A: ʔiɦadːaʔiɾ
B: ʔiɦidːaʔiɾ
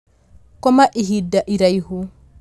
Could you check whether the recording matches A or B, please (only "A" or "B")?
B